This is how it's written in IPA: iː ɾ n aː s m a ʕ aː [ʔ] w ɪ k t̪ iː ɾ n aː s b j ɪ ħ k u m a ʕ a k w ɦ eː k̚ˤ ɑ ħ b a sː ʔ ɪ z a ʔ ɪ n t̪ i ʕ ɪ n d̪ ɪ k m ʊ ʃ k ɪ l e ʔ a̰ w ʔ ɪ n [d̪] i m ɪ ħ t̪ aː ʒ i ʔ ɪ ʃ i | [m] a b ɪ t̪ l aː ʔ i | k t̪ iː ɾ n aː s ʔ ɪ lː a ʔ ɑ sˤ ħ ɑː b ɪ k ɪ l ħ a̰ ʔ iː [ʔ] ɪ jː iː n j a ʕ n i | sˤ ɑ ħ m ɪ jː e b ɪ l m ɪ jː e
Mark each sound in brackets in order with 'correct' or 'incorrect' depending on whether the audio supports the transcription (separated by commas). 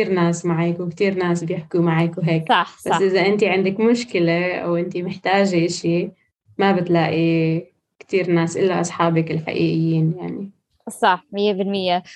incorrect, incorrect, correct, correct